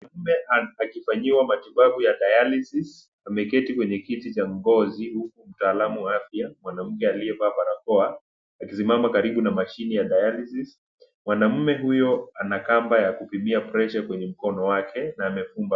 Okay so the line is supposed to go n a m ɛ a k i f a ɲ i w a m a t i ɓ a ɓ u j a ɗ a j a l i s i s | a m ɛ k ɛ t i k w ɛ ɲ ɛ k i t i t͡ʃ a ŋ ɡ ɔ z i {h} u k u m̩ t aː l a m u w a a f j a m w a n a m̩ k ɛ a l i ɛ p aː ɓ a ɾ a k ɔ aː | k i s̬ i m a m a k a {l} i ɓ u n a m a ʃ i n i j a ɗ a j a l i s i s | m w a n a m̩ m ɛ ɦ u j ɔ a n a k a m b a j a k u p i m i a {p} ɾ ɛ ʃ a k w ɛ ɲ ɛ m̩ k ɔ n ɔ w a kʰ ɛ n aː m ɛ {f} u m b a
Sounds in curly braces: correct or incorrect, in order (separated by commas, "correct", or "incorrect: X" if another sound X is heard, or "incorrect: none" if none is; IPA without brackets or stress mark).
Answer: correct, incorrect: ɾ, correct, correct